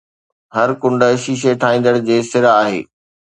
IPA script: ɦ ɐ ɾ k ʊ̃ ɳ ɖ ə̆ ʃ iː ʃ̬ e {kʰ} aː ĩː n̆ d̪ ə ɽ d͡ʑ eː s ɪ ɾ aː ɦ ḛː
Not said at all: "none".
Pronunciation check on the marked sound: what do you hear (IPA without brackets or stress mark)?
ʈʰ